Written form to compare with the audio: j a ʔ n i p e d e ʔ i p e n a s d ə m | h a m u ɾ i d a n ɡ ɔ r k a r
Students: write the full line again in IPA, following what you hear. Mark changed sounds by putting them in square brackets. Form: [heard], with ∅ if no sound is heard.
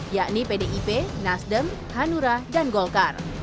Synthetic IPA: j a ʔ n i p e d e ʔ i p e n a s d ə m | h a [n] u ɾ [a] d a n ɡ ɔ [l] k a r